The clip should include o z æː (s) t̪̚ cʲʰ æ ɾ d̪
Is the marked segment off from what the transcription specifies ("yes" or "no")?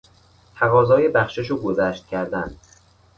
yes